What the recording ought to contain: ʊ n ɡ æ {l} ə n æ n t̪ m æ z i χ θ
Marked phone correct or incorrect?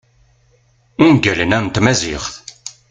correct